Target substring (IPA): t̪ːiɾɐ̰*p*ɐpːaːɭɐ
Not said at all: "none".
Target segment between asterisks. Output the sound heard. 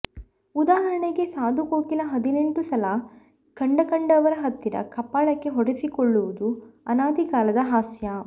k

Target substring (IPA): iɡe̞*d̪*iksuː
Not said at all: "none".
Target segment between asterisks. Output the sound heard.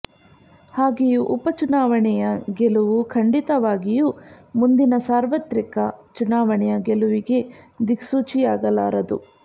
d̪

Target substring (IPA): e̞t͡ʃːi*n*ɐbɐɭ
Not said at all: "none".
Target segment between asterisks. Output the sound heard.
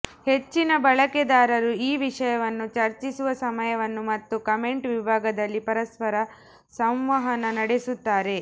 n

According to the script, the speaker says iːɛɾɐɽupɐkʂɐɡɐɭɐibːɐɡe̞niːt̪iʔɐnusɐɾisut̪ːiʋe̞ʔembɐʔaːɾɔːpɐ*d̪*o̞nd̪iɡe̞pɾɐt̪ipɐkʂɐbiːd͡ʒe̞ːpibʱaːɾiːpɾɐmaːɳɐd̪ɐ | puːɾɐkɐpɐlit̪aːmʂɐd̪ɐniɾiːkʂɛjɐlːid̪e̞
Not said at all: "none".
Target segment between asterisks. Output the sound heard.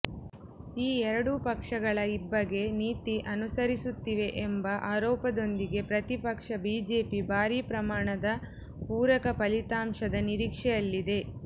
d̪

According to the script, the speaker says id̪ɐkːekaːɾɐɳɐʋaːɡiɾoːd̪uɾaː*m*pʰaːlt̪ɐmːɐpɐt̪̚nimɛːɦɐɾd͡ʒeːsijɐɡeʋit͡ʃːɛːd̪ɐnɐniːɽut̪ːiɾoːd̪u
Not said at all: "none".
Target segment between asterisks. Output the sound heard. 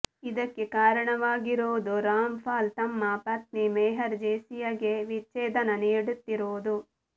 m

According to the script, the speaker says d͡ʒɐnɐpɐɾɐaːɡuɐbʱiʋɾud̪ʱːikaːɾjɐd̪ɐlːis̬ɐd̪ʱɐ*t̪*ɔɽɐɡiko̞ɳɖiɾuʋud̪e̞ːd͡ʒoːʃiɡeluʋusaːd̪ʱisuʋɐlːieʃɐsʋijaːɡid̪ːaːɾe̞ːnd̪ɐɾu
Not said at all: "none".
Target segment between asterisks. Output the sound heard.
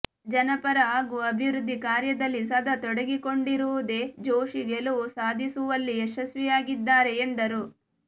t̪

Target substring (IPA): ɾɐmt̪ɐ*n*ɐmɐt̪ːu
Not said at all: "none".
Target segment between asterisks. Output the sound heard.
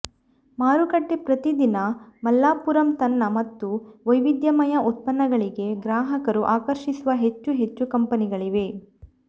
nː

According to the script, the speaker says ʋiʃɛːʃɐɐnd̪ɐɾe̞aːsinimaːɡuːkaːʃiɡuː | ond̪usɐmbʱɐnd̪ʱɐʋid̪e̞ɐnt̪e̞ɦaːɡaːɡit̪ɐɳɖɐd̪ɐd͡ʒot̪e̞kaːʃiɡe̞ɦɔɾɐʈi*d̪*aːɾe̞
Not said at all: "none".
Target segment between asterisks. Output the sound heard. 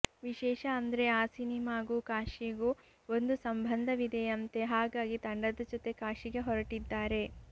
d̪ː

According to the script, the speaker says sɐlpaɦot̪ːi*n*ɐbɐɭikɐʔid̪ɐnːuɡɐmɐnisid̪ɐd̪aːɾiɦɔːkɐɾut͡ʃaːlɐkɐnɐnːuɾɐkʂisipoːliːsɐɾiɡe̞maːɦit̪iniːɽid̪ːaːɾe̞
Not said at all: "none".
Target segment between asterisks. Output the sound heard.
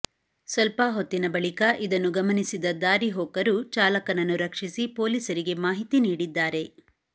n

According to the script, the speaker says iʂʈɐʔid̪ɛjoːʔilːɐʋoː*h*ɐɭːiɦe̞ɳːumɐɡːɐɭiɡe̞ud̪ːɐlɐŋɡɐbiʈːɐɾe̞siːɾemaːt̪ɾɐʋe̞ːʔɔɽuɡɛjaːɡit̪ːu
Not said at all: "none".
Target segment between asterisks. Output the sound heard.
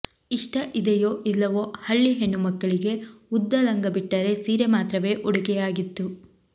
h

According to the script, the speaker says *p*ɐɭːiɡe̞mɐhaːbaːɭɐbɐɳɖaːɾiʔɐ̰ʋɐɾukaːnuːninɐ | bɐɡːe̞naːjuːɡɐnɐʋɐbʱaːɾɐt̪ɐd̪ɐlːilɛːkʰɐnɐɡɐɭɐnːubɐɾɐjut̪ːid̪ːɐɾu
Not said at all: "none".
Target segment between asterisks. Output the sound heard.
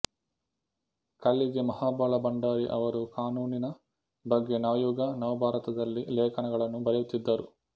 k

